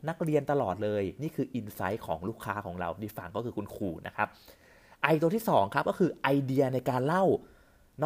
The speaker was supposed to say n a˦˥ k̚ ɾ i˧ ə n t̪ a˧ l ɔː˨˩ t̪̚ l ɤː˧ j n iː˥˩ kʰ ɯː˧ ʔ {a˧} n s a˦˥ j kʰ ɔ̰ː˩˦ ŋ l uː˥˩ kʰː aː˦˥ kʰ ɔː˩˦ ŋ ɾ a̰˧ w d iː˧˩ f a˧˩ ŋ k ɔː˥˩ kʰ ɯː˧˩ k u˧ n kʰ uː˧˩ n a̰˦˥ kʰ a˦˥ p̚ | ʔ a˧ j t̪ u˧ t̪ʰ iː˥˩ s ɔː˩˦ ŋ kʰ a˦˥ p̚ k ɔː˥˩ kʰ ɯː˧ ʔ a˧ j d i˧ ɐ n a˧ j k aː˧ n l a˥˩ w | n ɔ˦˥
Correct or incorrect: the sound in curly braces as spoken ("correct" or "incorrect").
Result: incorrect